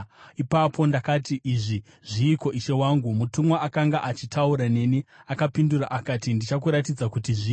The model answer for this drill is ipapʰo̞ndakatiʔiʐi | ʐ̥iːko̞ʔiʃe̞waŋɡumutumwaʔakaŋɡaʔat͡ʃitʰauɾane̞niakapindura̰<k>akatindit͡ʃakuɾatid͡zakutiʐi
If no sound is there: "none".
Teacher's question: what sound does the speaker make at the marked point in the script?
ʔ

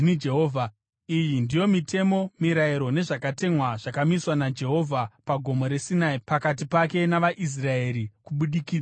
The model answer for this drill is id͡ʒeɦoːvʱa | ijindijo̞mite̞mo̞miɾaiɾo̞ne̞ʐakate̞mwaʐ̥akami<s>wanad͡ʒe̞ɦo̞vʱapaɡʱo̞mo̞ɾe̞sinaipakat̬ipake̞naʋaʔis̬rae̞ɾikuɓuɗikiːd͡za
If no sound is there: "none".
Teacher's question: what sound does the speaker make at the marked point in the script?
s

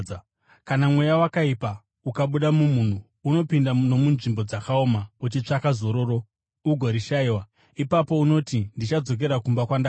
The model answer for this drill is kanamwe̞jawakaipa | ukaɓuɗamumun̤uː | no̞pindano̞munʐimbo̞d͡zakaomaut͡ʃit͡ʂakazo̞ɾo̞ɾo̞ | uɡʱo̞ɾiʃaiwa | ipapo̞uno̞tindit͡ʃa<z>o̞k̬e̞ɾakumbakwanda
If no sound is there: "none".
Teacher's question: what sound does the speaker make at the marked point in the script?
d͡z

